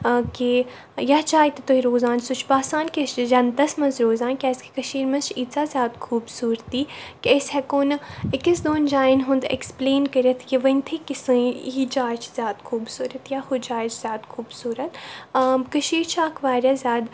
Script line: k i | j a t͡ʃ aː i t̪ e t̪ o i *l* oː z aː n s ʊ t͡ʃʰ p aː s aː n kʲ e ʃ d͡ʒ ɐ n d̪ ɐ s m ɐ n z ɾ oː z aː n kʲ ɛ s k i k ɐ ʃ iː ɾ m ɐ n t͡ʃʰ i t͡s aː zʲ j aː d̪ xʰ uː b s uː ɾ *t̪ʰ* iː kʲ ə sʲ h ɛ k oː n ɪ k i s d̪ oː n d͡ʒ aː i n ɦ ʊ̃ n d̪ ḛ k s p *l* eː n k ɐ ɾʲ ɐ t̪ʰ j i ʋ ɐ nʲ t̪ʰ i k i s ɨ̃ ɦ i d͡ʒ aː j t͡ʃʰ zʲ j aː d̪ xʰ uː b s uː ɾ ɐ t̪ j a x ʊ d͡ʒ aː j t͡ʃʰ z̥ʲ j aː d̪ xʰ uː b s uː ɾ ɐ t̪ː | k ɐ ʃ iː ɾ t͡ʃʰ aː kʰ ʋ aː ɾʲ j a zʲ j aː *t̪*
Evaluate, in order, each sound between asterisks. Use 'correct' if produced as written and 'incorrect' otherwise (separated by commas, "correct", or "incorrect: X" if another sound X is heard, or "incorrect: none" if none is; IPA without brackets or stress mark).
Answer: incorrect: ɾ, incorrect: t̪, correct, incorrect: d̪